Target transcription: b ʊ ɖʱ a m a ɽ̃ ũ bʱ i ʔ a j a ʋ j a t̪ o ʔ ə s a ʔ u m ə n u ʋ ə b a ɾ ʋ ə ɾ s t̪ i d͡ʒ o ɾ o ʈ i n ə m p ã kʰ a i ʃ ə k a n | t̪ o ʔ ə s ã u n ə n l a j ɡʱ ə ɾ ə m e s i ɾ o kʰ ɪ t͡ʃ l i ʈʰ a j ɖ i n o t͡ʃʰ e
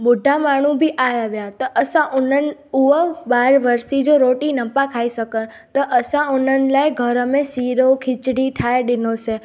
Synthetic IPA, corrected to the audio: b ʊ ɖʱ a m a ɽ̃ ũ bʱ i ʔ a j a ʋ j a t̪ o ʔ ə s a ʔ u n ə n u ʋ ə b a ɾ ʋ ə ɾ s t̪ i d͡ʒ o ɾ o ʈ i n ə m p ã kʰ a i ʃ ə k ə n | t̪ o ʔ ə s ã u n ə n l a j ɡʱ ə ɾ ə m e s i ɾ o kʰ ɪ t͡ʃ ɽ i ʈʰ a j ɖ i n o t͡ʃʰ e